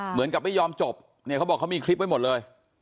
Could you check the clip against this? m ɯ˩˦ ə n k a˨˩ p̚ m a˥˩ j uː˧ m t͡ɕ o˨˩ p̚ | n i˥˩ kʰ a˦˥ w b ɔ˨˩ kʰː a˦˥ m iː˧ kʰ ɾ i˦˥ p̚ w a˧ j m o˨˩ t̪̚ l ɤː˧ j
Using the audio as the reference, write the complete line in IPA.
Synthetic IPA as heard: m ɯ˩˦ ə n k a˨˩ p̚ m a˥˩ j ɔː˧ m t͡ɕ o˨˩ p̚ | n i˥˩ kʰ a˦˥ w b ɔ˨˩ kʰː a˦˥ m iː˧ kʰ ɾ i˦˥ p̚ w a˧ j m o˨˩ t̪̚ l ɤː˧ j